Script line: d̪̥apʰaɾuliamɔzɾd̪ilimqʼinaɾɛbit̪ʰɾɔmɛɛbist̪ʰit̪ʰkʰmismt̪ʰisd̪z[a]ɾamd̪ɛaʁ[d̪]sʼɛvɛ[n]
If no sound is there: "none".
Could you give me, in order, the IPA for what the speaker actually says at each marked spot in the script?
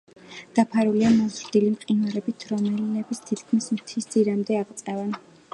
i, t̪, n

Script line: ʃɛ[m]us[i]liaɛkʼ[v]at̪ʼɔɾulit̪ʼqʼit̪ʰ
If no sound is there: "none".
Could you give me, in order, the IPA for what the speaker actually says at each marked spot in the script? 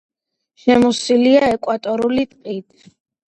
m, i, w

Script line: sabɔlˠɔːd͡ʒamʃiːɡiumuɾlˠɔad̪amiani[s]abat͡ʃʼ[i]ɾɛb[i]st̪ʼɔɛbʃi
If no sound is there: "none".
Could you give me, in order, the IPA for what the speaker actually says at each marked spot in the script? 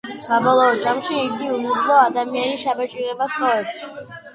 ʃ, i, a

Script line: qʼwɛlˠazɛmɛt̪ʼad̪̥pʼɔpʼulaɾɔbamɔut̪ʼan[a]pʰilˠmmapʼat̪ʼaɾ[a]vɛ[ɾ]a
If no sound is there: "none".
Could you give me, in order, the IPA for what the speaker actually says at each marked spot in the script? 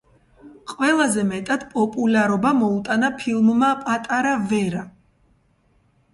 a, a, ɾ

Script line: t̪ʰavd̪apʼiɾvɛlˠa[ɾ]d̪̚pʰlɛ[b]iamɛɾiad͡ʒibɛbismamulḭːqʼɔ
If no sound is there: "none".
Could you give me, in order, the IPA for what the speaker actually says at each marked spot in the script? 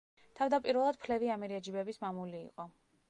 none, v

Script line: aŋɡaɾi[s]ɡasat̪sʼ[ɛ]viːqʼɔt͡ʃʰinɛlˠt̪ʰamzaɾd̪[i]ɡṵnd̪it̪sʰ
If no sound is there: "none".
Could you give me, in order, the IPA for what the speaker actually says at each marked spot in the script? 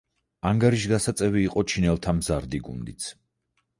ʃ, ɛ, i

